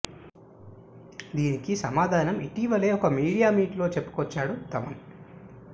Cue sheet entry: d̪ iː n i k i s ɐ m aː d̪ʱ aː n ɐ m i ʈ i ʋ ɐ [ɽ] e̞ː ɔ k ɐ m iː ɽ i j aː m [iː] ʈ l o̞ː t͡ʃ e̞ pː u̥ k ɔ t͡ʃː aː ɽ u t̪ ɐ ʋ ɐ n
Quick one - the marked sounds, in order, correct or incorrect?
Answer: incorrect, correct

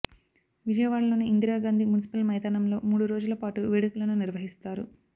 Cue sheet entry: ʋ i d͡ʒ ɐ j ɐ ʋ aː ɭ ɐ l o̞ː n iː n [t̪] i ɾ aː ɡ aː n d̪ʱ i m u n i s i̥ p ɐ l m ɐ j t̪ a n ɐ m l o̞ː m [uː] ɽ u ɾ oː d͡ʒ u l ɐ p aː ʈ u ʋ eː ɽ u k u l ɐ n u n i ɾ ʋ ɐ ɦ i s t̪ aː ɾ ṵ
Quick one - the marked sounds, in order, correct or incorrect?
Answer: incorrect, correct

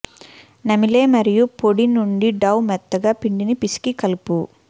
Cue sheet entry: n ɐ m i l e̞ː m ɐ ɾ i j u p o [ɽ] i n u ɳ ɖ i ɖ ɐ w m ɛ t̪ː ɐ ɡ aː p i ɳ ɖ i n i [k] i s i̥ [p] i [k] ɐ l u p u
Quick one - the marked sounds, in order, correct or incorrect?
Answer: correct, incorrect, incorrect, correct

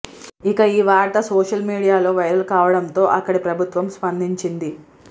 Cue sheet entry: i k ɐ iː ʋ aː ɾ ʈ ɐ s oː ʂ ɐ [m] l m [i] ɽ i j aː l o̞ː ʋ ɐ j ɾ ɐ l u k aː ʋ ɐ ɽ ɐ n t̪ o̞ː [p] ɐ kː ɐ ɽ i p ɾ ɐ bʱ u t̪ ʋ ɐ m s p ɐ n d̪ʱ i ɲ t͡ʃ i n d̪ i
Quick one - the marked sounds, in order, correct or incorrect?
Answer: incorrect, incorrect, incorrect

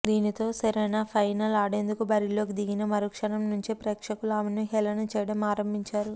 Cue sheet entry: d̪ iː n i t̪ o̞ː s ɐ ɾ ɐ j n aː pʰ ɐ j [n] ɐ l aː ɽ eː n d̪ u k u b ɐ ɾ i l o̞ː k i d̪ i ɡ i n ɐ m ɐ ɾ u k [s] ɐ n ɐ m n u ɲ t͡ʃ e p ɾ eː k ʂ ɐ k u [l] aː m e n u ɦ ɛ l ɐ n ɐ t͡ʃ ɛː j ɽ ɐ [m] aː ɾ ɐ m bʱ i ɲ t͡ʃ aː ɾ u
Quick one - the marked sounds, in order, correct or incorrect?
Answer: correct, incorrect, correct, correct

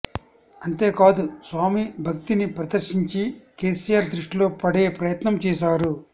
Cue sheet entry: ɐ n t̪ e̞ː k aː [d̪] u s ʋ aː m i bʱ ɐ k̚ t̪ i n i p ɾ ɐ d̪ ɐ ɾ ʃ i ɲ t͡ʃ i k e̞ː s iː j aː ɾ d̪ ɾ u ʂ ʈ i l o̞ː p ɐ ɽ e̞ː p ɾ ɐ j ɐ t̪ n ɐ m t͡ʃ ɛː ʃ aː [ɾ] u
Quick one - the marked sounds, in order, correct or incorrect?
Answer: correct, correct

